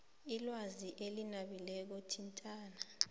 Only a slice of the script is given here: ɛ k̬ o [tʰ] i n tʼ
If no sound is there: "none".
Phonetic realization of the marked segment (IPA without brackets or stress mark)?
tʰ